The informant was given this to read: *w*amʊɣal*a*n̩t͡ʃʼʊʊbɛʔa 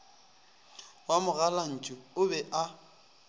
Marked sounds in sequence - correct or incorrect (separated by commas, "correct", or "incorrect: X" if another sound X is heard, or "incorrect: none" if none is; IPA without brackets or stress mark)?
correct, correct